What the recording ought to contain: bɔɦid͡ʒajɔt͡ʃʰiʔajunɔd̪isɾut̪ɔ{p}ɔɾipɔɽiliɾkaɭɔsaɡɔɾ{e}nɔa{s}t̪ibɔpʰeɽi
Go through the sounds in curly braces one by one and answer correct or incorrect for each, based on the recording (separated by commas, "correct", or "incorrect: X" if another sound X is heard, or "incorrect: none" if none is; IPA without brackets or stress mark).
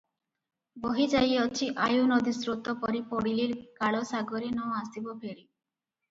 correct, incorrect: i, correct